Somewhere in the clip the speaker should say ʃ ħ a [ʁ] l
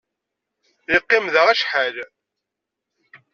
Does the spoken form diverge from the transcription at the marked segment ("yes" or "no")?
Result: yes